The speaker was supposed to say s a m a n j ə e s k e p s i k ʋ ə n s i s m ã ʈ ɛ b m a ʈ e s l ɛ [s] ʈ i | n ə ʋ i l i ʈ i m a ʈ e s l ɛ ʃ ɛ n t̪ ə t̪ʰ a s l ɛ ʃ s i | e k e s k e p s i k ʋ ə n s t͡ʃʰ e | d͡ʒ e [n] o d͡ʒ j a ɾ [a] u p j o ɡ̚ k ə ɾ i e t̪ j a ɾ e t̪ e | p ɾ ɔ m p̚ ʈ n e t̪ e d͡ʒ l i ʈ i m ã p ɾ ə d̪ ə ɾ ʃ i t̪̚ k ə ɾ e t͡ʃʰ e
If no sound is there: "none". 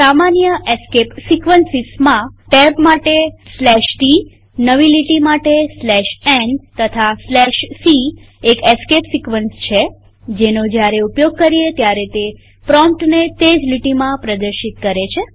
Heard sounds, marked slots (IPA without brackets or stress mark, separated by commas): ʃ, n, e